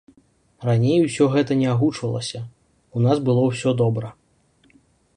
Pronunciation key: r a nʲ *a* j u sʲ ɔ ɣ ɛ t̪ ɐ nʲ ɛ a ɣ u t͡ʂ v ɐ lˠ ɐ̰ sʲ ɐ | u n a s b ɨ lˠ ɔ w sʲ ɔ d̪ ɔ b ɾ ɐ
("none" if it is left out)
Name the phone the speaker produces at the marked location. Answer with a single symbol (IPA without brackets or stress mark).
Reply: e